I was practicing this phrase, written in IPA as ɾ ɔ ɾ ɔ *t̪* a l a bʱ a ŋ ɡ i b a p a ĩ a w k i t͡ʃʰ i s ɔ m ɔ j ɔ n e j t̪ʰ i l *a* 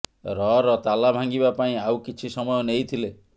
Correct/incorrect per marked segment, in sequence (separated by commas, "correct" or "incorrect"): correct, incorrect